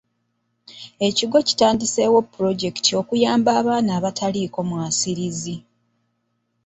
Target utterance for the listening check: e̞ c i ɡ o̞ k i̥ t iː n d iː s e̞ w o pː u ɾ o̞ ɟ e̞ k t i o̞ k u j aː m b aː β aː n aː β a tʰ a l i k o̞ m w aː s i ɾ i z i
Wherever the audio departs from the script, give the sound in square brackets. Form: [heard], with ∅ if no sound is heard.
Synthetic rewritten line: e̞ c i ɡ o̞ [c] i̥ t [aː] n d [i] s e̞ w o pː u ɾ o̞ ɟ e̞ k t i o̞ k u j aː m b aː β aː n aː β a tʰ a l i k o̞ m w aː s i ɾ i z i

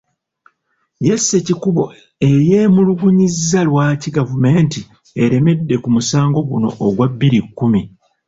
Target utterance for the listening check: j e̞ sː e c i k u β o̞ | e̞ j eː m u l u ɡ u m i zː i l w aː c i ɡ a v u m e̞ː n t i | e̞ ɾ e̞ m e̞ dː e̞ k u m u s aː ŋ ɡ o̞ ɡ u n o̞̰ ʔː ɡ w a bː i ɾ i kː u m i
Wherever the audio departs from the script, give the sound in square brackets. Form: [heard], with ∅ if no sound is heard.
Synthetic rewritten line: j e̞ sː e c i k u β o̞ | e̞ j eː m u l u ɡ u [ɲ] i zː [a] l w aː c i ɡ a v u m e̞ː n t i | e̞ ɾ e̞ m e̞ dː e̞ k u m u s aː ŋ ɡ o̞ ɡ u n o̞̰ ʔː ɡ w a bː i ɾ i kː u m i

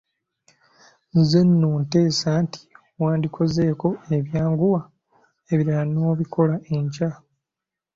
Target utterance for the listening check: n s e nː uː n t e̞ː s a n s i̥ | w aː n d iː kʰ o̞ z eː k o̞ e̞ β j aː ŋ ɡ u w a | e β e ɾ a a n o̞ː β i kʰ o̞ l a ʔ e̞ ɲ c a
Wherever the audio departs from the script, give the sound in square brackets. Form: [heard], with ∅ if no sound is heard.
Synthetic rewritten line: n [z] e nː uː n t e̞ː s a n [t] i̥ | w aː n d [i] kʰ o̞ z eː k o̞ e̞ β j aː ŋ ɡ u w a | e β [i] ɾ a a n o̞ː β i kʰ o̞ l a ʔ e̞ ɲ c a

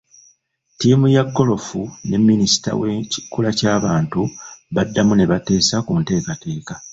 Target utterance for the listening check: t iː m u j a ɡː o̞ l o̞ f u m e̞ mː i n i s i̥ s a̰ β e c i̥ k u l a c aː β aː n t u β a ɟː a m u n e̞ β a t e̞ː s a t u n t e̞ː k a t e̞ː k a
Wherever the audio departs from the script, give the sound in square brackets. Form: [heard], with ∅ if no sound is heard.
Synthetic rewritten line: t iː m u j a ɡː o̞ l o̞ f u [n] e̞ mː i n i s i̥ [t] a̰ [w] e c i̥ k u l a c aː β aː n t u β a [dː] a m u n e̞ β a t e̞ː s a [k] u n t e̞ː k a t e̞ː k a

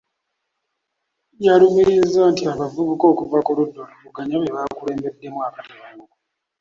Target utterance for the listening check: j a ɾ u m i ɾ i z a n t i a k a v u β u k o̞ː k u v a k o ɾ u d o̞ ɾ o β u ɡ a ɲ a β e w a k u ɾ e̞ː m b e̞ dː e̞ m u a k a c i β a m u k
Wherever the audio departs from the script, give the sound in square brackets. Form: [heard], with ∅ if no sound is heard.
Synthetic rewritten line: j a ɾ u m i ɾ i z a n t i a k a v u β u k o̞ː k u v a k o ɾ u d o̞ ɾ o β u ɡ a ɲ a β e [β] a k u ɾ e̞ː m b e̞ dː e̞ m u a k a [t] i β a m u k

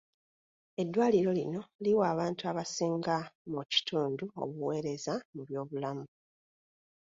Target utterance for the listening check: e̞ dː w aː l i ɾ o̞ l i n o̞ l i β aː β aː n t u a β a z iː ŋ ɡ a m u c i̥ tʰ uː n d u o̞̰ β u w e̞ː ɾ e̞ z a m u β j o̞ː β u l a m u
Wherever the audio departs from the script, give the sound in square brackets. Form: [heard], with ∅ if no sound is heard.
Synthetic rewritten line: e̞ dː w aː l i ɾ o̞ l i n o̞ l i [w] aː β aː n t u a β a [s] iː ŋ ɡ a m u c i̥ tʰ uː n d u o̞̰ β u w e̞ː ɾ e̞ z a m u β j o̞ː β u l a m u

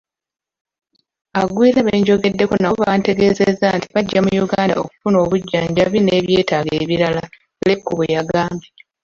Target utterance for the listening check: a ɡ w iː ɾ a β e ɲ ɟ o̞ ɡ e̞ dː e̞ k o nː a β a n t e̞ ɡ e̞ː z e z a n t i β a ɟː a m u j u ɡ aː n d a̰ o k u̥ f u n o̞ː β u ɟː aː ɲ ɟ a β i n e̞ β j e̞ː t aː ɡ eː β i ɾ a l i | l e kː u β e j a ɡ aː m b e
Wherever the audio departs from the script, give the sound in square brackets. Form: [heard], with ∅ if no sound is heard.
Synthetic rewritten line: a ɡ w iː ɾ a β e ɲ ɟ o̞ ɡ e̞ dː e̞ k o [n] a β a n t e̞ ɡ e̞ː z e z a n t i β a ɟː a m u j u ɡ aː n d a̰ o k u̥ f u n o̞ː β u ɟː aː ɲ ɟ a β i n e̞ β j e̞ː t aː ɡ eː β i ɾ a l [a] | l e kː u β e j a ɡ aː m b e

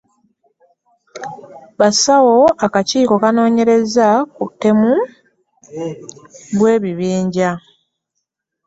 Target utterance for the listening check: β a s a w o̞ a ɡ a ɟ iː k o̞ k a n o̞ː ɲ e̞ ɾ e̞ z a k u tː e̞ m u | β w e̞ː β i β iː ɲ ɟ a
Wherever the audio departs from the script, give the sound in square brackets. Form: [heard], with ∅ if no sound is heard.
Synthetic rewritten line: β a s a w o̞ a [k] a [c] iː k o̞ k a n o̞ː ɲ e̞ ɾ e̞ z a k u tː e̞ m u | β w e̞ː β i β iː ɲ ɟ a

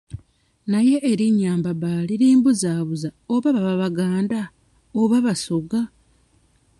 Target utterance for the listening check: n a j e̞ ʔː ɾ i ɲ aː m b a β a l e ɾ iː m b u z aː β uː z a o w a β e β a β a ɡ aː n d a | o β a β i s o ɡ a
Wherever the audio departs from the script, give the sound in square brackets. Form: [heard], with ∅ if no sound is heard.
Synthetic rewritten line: n a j e̞ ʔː ɾ i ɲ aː m b a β a l [i] ɾ iː m b u z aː β [u] z a o [β] a β [a] β a β a ɡ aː n d a | o β a β [a] s o ɡ a

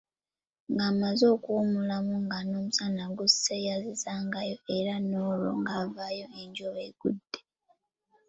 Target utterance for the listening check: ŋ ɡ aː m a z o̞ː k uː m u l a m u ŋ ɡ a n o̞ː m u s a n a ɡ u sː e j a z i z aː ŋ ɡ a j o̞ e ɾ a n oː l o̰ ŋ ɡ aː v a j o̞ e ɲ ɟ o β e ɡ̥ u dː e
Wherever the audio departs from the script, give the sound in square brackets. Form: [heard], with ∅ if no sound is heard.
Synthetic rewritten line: ŋ ɡ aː m a z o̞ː k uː m u l a m u ŋ ɡ a n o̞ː m u s a n a ɡ u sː e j a z i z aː ŋ ɡ a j o̞ e ɾ a n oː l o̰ ŋ ɡ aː v a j o̞ e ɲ ɟ o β e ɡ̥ u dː e

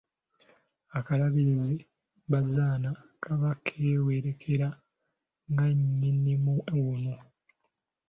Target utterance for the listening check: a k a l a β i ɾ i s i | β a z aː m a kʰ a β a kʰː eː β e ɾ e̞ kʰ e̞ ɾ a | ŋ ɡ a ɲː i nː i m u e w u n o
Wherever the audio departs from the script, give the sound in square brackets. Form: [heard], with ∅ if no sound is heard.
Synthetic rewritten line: a k a l a β i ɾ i [z] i | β a z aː [n] a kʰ a β a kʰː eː [w] e ɾ e̞ kʰ e̞ ɾ a | ŋ ɡ a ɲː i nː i m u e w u n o

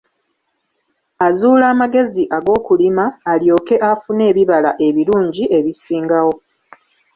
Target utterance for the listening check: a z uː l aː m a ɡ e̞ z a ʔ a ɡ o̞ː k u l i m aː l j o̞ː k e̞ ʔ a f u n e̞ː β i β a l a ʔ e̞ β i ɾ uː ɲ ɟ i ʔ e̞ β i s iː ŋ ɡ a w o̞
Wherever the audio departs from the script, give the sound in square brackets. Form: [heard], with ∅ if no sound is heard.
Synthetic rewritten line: a z uː l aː m a ɡ e̞ z [i] ʔ a ɡ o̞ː k u l i m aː l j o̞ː k e̞ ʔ a f u n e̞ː β i β a l a ʔ e̞ β i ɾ uː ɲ ɟ i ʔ e̞ β i s iː ŋ ɡ a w o̞

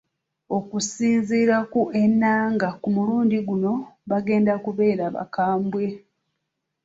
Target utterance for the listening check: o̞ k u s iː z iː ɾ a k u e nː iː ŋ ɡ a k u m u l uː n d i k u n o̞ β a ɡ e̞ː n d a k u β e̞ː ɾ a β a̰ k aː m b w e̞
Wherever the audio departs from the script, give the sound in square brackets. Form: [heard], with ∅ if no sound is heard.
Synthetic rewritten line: o̞ k u s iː z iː ɾ a k u e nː [aː] ŋ ɡ a k u m u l uː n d i [ɡ] u n o̞ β a ɡ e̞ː n d a k u β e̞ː ɾ a β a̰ k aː m b w e̞

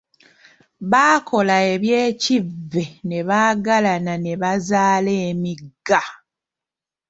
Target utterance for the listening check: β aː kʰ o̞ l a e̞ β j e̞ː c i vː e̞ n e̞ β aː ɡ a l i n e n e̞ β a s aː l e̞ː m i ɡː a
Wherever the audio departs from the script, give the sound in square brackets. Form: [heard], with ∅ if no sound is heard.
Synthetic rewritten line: β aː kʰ o̞ l a e̞ β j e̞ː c i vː e̞ n e̞ β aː ɡ a l [a] n [a] n e̞ β a [z] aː l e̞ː m i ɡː a

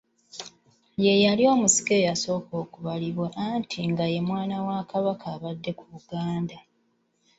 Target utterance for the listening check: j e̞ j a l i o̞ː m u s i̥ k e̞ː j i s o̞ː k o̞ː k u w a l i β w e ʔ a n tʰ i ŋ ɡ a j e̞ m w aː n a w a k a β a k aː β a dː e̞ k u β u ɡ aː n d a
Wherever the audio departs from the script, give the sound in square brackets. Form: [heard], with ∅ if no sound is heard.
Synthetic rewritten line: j e̞ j a l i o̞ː m u s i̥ k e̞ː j [a] s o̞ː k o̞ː k u [β] a l i β w e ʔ a n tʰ i ŋ ɡ a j e̞ m w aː n a w a k a β a k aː β a dː e̞ k u β u ɡ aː n d a

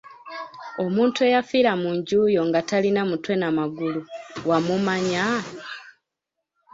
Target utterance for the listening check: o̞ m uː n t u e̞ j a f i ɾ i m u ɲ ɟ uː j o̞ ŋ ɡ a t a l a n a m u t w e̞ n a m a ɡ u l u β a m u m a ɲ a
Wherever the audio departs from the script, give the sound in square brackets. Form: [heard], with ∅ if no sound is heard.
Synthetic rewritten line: o̞ m uː n t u e̞ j a f i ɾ [a] m u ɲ ɟ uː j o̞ ŋ ɡ a t a l [i] n a m u t w e̞ n a m a ɡ u l u [w] a m u m a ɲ a

